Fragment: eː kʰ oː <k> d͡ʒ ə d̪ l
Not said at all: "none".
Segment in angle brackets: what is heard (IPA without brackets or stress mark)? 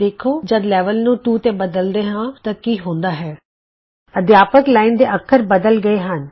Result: none